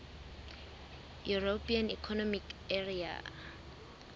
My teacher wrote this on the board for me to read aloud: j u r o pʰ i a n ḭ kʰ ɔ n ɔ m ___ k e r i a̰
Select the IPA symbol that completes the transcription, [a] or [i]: i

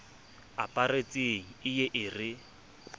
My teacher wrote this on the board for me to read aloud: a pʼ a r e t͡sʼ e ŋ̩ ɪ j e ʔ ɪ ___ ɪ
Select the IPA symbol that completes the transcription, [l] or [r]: r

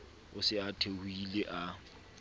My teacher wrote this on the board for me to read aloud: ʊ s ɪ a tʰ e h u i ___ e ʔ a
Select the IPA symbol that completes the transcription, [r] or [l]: l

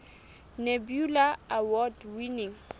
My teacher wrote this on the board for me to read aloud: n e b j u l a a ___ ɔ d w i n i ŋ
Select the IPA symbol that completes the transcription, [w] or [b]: w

